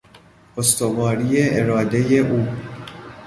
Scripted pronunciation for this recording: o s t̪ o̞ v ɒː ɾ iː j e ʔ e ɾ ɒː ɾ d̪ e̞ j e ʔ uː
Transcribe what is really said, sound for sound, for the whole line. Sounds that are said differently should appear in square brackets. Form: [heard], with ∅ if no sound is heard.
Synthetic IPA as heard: o s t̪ o̞ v ɒː ɾ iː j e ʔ e ɾ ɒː [∅] d̪ e̞ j e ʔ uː